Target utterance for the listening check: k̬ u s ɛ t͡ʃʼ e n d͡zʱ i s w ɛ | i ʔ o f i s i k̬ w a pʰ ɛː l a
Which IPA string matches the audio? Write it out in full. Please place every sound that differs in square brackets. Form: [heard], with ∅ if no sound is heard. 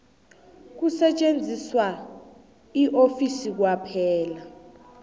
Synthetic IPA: k̬ u s ɛ t͡ʃʼ e n d͡zʱ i s w [a] | i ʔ o f i s i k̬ w a pʰ ɛː l a